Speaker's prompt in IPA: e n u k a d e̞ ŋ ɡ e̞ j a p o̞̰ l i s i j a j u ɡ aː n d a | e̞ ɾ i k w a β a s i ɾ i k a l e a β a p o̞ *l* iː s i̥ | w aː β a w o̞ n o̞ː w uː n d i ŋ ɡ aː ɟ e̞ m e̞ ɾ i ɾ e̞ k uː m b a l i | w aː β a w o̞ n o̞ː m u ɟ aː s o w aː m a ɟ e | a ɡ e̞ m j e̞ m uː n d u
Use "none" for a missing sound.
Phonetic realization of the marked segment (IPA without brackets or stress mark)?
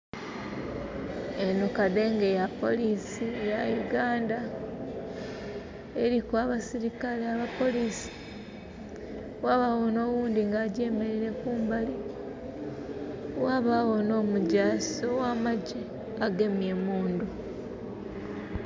l